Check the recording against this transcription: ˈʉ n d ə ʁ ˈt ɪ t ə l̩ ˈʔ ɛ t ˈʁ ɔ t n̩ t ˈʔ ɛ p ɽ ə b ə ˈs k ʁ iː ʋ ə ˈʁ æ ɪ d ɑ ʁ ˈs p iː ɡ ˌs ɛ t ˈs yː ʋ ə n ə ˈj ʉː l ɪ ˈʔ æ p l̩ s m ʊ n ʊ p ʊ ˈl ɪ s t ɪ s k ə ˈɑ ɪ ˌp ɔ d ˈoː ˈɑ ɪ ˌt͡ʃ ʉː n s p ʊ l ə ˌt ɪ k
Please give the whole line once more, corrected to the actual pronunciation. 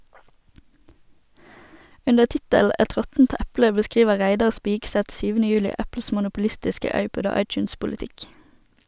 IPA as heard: ˈʉ n d ə ʁ ˈt ɪ t ə l̩ ˈʔ ɛ t ˈʁ ɔ t n̩ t ˈʔ æ p l ə b ə ˈs k ʁ iː ʋ ə ˈʁ æ ɪ d ɑ ʁ ˈs p iː ɡ ˌs ɛ t ˈs yː ʋ ə n ə ˈj ʉː l ɪ ˈʔ æ p l̩ s m ʊ n ʊ p ʊ ˈl ɪ s t ɪ s k ə ˈɑ ɪ ˌp ɔ d ˈoː ˈɑ ɪ ˌt͡ʃ ʉː n s p ʊ l ə ˌt ɪ k